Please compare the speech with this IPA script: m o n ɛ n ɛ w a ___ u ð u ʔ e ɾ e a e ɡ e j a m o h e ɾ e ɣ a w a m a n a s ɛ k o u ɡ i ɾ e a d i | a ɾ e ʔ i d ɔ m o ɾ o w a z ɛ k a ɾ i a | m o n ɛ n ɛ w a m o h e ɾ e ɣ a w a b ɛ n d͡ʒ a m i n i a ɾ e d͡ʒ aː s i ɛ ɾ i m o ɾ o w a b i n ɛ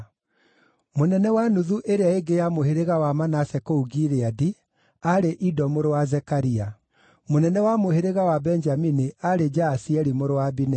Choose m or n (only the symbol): n